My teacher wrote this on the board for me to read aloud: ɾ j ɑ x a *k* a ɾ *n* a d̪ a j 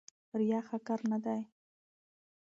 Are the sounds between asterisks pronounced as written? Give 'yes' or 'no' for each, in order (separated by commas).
yes, yes